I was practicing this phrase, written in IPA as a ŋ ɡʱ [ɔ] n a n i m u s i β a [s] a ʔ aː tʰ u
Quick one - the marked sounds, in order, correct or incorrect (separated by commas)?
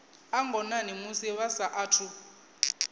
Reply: correct, correct